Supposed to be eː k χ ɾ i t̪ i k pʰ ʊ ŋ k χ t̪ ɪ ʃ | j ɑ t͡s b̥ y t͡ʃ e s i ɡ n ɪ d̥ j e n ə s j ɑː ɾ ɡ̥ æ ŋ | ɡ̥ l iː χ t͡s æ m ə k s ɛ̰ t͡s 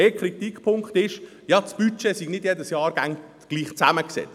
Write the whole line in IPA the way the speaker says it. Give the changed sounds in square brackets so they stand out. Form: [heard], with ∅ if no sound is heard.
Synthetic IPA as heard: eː k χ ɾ i t̪ i k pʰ ʊ ŋ k χ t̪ ɪ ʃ | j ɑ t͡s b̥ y t͡ʃ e s i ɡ n ɪ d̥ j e [d] ə s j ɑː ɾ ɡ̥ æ ŋ | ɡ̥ l iː χ t͡s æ m ə k s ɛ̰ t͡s